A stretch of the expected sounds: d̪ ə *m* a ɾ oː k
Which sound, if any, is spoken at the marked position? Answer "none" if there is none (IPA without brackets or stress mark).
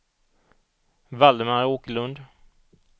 m